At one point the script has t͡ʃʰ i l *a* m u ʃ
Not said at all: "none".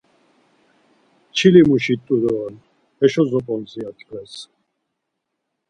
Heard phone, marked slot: i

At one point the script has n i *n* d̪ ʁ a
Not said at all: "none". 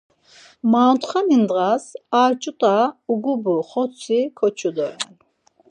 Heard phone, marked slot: n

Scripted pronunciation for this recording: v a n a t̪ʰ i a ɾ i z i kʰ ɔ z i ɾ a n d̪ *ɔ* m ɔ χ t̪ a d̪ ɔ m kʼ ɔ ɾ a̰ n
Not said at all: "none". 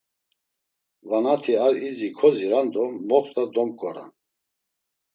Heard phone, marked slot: ɔ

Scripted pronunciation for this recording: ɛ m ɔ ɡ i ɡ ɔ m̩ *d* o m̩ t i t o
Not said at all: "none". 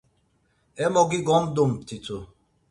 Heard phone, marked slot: d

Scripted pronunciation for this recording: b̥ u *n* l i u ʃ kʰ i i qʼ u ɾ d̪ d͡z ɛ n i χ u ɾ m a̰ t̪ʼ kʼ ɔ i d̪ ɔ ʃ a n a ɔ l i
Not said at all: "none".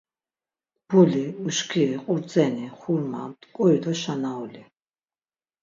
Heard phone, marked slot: none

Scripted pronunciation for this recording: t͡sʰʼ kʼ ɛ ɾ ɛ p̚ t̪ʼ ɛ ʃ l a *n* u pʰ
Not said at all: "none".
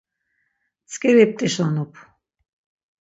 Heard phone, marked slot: n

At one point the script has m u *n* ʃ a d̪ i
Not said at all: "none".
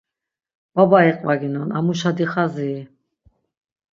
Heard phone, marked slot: none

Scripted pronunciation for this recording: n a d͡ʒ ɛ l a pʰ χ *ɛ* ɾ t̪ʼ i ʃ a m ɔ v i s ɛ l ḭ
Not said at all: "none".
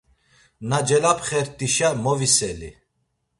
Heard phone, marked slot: ɛ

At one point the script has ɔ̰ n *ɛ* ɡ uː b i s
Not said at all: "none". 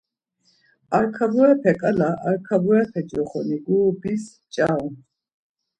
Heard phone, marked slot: i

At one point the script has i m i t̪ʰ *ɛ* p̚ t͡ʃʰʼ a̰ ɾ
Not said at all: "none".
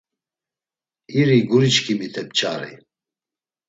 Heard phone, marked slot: ɛ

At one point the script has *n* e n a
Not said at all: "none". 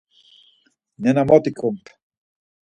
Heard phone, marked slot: n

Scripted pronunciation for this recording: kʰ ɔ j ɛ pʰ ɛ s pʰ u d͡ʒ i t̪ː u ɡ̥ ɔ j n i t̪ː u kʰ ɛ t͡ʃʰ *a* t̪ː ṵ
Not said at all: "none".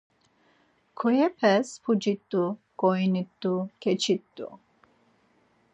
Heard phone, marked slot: i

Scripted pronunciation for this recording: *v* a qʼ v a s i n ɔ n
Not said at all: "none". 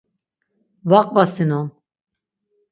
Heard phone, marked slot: v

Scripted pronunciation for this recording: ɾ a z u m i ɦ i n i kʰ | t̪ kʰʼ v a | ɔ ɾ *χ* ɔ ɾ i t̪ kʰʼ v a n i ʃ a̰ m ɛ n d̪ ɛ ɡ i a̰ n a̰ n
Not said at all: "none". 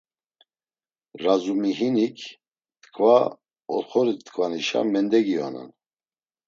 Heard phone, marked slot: χ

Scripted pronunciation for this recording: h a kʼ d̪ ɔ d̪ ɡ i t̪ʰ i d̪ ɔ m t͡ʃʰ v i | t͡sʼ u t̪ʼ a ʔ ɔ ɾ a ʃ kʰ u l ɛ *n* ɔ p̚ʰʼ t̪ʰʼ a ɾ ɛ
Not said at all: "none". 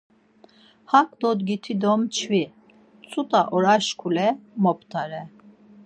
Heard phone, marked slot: m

